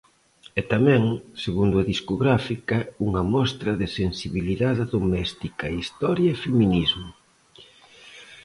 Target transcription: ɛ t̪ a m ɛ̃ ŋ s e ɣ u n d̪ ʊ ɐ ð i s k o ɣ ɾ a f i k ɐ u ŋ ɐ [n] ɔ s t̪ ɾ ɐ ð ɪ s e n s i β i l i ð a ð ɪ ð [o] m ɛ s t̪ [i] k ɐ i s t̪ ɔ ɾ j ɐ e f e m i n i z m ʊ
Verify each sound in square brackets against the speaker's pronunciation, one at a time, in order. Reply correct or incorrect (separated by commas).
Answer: incorrect, correct, correct